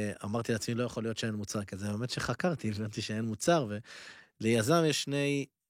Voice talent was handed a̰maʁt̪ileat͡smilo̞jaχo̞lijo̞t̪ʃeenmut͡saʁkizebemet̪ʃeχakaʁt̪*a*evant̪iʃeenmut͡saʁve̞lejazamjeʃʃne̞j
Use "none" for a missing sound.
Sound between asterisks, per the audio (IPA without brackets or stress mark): i